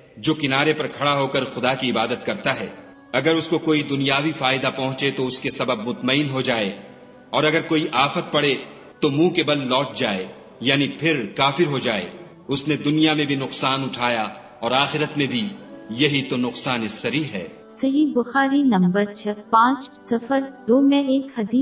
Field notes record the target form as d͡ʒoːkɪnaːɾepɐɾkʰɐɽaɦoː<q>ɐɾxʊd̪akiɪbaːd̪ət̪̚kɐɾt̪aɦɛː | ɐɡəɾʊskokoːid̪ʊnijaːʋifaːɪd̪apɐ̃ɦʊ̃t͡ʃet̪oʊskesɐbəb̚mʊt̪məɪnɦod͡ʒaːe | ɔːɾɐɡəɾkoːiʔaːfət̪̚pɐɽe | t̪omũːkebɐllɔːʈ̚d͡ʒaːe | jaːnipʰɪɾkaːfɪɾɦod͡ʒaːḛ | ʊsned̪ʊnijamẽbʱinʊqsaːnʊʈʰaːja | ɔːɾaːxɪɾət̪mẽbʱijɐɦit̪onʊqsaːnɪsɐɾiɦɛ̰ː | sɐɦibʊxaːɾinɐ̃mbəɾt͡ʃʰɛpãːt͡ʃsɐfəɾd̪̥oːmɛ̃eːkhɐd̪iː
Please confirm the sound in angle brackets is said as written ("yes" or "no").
no